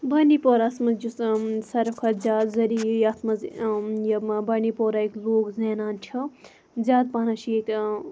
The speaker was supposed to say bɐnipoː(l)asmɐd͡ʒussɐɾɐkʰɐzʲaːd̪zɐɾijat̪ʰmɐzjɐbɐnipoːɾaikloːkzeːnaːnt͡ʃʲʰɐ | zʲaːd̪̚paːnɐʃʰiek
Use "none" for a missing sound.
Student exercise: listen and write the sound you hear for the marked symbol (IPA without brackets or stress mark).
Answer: ɾ